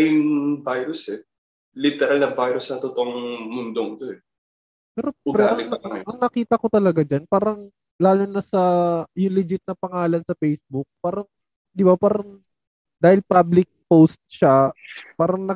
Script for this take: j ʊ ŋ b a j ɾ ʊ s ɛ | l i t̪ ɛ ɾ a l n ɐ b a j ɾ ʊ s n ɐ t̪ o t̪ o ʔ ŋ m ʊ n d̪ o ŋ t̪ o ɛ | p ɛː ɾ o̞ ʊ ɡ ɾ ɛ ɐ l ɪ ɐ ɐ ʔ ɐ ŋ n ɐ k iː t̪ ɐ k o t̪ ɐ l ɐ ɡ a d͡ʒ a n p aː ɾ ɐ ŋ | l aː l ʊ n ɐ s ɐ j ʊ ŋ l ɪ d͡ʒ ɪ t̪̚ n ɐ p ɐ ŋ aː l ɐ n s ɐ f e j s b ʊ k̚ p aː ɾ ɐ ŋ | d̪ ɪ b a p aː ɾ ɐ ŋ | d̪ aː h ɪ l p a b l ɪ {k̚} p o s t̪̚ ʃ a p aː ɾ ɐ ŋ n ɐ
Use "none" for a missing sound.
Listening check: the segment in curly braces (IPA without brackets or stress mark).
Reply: k̚